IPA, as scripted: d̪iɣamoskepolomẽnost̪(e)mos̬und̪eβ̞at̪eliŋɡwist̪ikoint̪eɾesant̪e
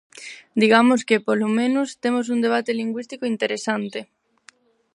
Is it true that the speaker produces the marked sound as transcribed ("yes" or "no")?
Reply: yes